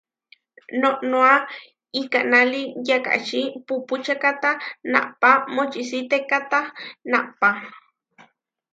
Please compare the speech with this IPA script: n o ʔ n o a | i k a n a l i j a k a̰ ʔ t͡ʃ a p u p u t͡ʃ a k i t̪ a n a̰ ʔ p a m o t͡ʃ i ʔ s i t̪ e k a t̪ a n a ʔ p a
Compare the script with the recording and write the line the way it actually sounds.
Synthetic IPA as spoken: n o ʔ n o a | i k a n a l i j a k a̰ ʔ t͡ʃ i p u p u t͡ʃ a k a t̪ a n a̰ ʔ p a m o t͡ʃ i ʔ s i t̪ e k a t̪ a n a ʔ p a